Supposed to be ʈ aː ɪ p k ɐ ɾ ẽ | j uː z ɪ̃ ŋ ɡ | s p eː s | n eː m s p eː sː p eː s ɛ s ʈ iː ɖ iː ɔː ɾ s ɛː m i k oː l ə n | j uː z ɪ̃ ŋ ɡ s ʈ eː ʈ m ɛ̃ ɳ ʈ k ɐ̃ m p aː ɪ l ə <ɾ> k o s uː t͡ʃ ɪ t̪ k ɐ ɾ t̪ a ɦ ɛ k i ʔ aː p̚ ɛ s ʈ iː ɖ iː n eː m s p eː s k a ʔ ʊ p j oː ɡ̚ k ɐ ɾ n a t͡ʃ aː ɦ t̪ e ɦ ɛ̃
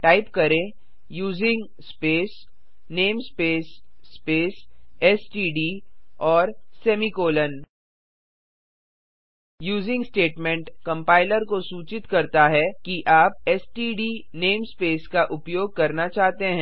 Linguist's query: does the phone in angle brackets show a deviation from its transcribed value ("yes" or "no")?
no